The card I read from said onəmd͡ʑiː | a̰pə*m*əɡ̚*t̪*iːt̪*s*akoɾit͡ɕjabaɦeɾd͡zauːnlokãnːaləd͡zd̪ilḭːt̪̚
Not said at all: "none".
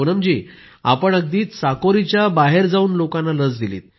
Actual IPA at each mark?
ɳ, d̪, s

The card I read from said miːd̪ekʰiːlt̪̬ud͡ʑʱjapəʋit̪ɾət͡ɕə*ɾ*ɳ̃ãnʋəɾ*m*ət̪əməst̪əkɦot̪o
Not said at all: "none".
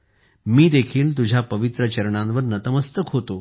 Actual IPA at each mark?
ɾ, n

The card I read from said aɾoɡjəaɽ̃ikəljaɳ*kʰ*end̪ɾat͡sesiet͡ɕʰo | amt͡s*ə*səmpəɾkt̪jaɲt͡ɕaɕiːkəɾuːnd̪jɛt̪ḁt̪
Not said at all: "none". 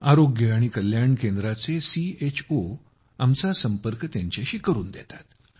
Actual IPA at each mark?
k, a

